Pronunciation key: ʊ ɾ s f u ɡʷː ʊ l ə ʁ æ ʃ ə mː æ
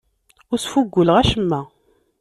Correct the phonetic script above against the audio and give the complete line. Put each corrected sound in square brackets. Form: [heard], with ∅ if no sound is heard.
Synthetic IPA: ʊ ɾ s f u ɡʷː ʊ l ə ʁ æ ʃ ə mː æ